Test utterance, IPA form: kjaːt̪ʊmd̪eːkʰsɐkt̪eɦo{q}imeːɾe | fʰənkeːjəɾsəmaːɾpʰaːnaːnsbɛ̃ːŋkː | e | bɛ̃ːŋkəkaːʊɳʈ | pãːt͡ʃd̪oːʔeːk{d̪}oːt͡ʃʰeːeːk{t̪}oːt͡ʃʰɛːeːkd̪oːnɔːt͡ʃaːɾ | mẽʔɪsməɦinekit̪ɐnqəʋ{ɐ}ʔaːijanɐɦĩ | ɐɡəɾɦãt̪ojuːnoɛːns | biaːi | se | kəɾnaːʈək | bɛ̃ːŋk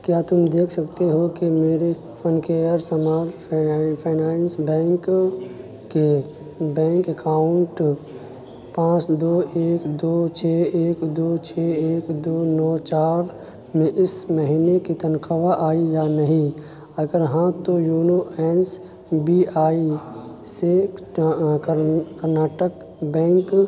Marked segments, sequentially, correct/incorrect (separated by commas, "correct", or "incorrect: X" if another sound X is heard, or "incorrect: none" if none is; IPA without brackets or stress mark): incorrect: k, correct, incorrect: d̪, incorrect: a